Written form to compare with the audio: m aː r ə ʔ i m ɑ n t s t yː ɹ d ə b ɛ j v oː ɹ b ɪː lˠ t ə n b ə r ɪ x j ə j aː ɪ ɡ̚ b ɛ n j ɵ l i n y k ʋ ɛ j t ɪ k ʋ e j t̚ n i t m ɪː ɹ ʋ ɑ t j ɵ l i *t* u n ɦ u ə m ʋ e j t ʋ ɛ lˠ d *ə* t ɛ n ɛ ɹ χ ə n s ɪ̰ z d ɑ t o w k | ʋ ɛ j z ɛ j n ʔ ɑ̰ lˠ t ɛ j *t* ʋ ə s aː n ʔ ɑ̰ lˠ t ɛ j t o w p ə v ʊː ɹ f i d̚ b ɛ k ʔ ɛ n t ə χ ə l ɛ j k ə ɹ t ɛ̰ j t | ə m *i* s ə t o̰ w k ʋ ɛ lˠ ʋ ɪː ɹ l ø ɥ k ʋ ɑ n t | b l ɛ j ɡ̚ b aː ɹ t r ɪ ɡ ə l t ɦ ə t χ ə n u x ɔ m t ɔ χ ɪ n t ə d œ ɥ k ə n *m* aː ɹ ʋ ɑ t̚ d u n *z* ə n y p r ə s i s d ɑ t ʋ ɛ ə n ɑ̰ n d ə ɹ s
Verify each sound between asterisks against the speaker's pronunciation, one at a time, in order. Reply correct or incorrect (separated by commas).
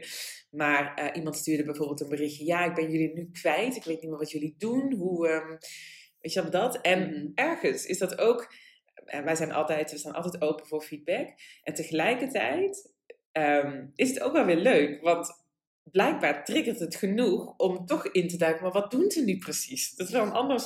incorrect, incorrect, correct, incorrect, correct, correct